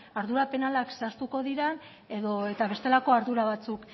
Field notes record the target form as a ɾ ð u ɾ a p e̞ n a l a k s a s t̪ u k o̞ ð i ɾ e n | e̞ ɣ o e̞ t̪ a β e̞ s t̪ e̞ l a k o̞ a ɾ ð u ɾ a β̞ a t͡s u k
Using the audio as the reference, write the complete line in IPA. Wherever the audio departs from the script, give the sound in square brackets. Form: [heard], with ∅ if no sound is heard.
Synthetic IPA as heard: a ɾ ð u ɾ a p e̞ n a l a k s a s t̪ u k o̞ ð i ɾ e n | e̞ [ð] o e̞ t̪ a β e̞ s t̪ e̞ l a k o̞ a ɾ ð u ɾ a β̞ a t͡s u k